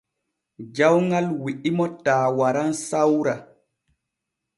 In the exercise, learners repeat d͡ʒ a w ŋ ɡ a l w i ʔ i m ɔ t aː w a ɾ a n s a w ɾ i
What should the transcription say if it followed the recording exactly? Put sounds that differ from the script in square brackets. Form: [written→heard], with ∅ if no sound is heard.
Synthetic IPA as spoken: d͡ʒ a w ŋ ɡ a l w i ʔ i m ɔ t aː w a ɾ a n s a w ɾ [i→a]

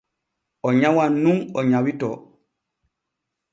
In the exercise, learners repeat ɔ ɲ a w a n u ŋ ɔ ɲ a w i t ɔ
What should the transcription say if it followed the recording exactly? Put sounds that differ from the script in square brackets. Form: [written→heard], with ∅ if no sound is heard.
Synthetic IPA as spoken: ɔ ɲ a w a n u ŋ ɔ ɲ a w i t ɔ

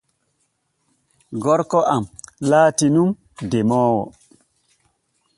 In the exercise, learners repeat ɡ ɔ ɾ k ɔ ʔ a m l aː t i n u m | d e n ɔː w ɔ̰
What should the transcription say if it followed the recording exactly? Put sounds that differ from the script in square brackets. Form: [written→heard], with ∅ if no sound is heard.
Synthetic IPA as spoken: ɡ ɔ ɾ k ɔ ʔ a m l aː t i n u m | d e [n→m] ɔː w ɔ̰

